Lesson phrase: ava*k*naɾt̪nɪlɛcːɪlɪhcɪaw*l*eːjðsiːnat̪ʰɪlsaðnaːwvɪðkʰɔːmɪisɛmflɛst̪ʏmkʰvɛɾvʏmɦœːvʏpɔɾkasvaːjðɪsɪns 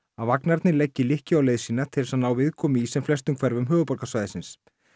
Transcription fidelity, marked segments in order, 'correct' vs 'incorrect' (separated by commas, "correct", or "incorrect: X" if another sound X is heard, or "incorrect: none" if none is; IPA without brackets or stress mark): correct, correct